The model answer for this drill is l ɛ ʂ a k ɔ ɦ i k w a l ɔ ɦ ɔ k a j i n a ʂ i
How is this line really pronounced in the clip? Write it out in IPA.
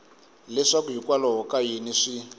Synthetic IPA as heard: l ɛ ʂ a k u ɦ i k w a l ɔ ɦ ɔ k a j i n i ʂ i